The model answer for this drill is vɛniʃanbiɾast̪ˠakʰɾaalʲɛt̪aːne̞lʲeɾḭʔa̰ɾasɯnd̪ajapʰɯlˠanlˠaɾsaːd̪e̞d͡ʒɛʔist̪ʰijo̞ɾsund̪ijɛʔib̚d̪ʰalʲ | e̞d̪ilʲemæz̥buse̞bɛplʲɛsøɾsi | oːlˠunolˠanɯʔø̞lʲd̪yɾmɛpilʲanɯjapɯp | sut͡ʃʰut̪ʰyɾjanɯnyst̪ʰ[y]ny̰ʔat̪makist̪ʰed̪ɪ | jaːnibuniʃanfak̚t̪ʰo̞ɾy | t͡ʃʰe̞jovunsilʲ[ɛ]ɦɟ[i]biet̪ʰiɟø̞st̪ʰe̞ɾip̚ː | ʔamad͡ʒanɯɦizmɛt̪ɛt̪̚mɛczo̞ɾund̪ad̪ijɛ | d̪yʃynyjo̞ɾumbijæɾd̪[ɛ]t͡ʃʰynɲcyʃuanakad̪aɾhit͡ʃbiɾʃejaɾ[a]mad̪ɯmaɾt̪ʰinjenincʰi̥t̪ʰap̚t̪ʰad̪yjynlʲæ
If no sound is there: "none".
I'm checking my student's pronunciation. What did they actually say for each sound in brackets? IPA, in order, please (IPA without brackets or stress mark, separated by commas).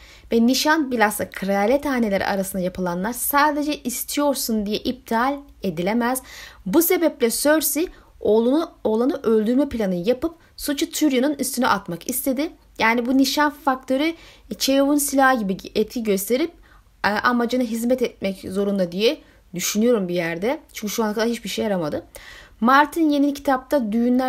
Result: y, a, i, ɛ, a